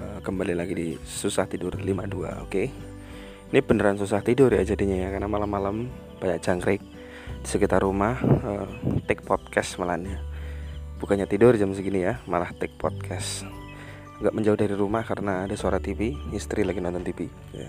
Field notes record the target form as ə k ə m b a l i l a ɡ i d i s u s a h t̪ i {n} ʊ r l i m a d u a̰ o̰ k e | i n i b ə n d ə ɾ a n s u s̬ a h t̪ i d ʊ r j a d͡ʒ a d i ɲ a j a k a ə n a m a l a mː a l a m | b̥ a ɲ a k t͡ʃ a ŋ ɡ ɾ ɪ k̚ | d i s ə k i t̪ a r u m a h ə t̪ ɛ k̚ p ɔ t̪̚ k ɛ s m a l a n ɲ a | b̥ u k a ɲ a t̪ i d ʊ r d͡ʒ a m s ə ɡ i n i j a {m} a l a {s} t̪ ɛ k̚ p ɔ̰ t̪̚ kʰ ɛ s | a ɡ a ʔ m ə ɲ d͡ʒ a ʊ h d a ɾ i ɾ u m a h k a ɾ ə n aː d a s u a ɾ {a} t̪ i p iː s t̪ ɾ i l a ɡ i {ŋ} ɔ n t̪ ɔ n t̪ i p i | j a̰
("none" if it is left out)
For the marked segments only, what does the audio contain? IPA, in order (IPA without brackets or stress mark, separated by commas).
d, m, h, a, n